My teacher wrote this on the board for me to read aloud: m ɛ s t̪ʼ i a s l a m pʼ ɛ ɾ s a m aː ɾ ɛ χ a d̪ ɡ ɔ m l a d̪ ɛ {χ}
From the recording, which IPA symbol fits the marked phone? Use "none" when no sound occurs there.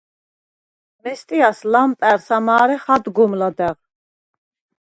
ʁ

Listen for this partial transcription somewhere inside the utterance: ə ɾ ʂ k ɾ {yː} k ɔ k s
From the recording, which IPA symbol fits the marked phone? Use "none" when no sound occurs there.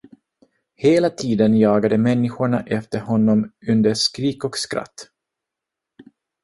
iː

